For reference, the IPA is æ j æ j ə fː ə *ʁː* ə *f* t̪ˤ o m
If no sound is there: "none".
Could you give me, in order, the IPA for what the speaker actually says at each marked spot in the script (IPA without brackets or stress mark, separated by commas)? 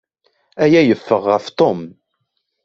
ʁː, f